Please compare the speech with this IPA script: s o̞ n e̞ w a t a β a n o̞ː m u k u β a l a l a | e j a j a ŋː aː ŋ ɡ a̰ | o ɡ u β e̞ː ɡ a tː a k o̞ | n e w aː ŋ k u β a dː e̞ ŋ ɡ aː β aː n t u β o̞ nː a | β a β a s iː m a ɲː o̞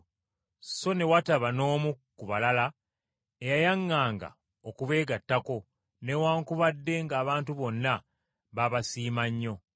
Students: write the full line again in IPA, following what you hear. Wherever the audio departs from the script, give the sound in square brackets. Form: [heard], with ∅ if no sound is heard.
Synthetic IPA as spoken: s o̞ n e̞ w a t a β a n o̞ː m u k u β a l a l a | e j a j a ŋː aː ŋ ɡ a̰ | o [k] u β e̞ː ɡ a tː a k o̞ | n e w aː ŋ k u β a dː e̞ ŋ ɡ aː β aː n t u β o̞ nː a | β a β a s iː m a ɲː o̞